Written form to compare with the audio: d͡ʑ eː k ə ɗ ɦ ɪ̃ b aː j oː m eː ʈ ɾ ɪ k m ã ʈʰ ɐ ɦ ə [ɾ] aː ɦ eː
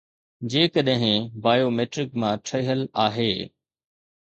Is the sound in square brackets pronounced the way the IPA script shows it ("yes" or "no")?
no